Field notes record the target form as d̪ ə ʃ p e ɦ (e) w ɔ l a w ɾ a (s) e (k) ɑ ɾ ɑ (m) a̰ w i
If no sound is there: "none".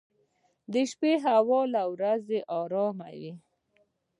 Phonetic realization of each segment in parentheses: a, z, ʔ, m

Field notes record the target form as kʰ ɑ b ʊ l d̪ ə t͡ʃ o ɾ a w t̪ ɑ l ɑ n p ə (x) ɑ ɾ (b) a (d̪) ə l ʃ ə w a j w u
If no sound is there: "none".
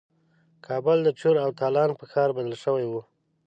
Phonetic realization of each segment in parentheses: x, b, d̪

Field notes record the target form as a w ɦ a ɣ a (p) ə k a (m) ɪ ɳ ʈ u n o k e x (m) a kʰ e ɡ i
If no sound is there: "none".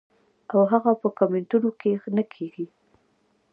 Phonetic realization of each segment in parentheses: p, m, n

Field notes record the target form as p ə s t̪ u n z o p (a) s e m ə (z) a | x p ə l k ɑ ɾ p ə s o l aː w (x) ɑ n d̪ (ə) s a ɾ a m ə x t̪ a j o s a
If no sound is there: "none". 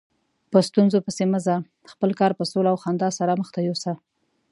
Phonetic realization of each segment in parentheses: ə, z, x, ɑ

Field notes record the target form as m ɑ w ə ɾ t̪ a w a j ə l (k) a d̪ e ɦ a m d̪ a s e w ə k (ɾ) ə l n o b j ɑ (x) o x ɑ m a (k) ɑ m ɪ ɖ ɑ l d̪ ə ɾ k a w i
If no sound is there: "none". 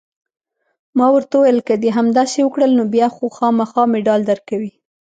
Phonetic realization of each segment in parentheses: k, ɽ, x, x

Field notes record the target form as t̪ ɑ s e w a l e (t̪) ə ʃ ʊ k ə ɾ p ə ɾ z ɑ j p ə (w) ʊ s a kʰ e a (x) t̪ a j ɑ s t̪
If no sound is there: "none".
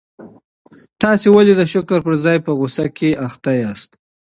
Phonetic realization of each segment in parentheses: d̪, ɣ, x

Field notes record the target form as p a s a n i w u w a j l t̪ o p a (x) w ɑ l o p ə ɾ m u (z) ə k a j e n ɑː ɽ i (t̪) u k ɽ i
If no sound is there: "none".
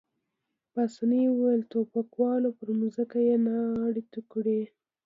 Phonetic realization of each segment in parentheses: k, z, t̪

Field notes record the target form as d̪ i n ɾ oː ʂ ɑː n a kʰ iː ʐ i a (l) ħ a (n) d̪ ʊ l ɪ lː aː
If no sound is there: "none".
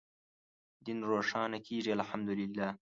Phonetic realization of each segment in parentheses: l, m

